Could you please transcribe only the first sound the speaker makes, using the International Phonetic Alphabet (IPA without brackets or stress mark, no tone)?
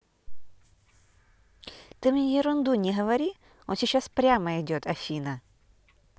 t̪